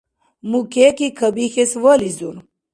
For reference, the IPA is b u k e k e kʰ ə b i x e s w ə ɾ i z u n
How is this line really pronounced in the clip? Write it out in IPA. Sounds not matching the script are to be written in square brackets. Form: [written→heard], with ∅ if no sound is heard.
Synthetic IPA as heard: [b→m] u k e k [e→i] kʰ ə b i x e s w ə [ɾ→l] i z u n